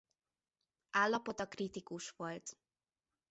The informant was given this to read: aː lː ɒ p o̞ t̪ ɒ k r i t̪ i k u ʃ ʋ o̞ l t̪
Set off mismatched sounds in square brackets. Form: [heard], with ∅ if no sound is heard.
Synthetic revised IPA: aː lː ɒ p o̞ t̪ ɒ k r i t̪ i k u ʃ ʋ o̞ l t̪